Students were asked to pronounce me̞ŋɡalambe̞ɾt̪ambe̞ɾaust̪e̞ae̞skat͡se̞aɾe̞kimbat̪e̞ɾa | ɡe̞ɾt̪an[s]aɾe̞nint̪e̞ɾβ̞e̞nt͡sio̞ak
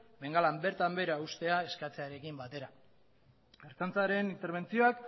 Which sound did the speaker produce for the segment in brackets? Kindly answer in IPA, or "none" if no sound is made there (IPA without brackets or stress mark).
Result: t͡s